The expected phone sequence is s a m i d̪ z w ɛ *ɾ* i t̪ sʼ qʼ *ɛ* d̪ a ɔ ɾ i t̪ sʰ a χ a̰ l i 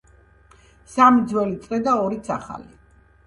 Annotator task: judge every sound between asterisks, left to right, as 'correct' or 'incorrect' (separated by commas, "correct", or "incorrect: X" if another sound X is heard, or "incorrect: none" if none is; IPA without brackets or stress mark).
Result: incorrect: l, correct